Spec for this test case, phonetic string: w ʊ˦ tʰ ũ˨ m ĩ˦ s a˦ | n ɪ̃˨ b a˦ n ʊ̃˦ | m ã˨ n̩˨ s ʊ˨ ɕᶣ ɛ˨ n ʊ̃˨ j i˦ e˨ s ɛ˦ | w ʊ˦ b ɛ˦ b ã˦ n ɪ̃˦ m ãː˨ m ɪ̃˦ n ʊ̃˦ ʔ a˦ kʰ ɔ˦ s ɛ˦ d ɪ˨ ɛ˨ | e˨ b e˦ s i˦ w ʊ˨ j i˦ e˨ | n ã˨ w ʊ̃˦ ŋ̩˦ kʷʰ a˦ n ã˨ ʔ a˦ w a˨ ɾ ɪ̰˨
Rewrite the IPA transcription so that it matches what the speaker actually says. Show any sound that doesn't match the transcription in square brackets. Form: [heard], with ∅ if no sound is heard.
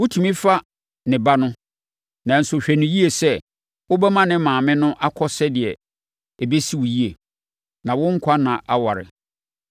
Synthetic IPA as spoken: w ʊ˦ tʰ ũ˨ m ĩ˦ [f] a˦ | n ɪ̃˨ b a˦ n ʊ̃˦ | [n] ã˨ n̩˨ s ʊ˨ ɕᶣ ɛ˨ n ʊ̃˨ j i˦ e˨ s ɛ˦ | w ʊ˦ b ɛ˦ [m] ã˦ n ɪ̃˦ m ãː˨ m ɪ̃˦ n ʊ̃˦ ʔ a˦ kʰ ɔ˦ s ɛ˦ d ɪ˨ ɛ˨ | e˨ b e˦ s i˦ w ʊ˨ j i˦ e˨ | n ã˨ w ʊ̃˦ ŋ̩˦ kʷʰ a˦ n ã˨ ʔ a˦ w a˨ ɾ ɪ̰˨